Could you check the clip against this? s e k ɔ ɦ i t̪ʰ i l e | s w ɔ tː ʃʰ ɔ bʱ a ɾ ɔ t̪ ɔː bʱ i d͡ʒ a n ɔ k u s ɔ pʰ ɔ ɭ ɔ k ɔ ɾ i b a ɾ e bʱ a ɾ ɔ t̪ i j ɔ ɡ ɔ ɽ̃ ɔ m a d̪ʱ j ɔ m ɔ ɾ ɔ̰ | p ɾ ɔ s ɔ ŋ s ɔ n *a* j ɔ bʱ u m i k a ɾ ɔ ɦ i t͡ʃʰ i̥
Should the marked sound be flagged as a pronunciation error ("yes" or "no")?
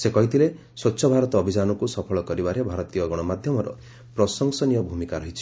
yes